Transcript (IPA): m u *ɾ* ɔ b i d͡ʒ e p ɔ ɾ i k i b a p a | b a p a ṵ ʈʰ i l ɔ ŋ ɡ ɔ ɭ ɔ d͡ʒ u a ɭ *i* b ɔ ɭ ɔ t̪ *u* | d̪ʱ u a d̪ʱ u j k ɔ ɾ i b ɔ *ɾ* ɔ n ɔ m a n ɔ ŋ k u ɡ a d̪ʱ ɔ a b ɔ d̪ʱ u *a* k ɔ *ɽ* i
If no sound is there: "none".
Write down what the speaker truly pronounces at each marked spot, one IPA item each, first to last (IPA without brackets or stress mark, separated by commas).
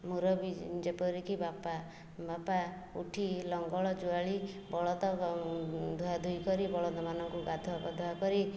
ɾ, i, ɔ, ɭ, a, ɾ